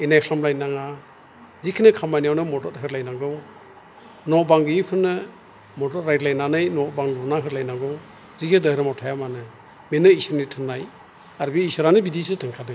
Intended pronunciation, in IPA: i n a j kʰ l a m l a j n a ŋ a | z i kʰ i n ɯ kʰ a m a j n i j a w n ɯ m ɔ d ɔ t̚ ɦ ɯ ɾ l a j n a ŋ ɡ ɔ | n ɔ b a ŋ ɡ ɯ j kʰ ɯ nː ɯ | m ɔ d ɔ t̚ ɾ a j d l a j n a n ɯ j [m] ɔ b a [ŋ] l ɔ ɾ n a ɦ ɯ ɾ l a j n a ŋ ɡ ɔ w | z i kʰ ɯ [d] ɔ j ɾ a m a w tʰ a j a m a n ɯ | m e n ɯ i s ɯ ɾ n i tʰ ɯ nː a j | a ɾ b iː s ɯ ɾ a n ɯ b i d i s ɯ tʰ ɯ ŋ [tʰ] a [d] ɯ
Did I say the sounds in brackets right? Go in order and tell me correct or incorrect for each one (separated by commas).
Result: incorrect, correct, correct, incorrect, correct